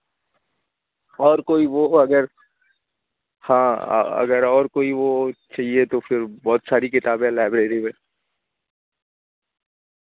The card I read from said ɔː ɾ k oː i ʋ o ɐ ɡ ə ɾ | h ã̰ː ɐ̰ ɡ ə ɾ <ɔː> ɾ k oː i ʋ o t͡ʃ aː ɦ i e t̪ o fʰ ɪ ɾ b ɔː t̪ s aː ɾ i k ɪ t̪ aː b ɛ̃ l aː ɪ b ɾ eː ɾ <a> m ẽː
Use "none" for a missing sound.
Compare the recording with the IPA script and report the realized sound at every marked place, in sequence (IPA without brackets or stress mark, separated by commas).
ɔː, i